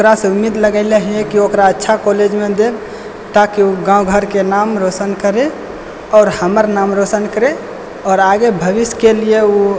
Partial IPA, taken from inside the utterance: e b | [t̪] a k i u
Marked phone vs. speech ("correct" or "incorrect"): correct